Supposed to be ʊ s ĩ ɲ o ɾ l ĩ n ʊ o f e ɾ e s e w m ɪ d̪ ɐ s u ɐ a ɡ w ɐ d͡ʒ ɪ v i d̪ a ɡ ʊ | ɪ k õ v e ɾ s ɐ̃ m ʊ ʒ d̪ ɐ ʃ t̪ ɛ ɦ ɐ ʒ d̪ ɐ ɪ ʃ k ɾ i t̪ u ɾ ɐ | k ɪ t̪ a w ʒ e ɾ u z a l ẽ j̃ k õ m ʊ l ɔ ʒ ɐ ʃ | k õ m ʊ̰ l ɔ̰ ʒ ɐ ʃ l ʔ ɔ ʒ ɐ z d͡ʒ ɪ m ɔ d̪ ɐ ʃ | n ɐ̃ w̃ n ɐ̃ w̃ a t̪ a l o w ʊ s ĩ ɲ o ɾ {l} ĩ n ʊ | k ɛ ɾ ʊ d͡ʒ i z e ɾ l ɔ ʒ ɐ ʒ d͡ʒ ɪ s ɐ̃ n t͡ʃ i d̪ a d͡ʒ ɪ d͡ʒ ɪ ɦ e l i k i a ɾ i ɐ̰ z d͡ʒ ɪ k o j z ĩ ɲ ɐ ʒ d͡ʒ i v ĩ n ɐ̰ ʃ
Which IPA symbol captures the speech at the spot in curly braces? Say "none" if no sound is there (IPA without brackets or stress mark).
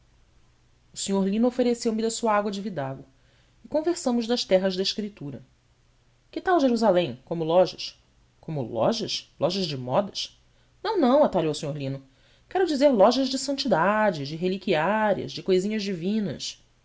l